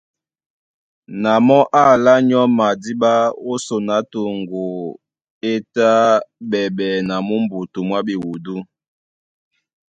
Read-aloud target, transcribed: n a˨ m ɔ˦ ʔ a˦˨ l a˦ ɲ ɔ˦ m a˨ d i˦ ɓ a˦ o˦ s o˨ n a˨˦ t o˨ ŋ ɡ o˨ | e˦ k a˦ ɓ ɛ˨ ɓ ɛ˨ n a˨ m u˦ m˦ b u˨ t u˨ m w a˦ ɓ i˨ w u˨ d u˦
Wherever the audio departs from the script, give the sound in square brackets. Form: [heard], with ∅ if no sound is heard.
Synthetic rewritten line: n a˨ m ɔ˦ ʔ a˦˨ l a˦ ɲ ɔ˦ m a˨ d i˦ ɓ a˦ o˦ s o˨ n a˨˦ t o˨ ŋ ɡ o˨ | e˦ [t] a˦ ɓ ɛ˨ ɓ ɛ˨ n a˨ m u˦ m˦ b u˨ t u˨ m w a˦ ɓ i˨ w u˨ d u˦